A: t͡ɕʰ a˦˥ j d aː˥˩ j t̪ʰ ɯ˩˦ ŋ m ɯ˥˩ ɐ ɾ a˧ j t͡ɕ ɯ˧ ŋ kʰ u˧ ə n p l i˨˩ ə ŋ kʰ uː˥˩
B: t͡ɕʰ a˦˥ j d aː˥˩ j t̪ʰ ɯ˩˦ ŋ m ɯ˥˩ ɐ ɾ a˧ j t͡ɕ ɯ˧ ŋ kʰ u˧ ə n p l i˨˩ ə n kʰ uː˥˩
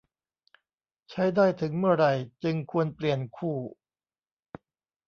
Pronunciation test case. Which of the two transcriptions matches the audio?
B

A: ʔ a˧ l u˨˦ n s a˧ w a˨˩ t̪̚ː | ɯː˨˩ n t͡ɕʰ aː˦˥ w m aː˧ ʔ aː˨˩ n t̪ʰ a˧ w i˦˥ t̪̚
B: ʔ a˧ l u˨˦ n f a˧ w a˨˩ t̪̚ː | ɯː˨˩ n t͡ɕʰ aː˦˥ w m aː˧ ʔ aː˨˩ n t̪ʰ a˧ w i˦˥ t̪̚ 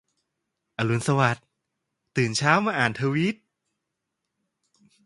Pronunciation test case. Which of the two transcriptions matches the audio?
A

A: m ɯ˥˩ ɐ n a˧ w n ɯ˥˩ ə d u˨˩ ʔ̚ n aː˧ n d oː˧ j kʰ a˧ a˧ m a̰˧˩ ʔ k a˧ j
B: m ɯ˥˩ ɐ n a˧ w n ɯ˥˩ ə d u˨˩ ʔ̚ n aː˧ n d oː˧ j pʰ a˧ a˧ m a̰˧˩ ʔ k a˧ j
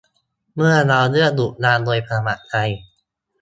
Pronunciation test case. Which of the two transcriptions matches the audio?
B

